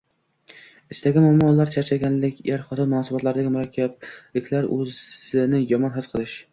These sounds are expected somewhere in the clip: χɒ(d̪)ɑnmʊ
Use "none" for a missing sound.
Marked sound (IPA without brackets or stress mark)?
t̪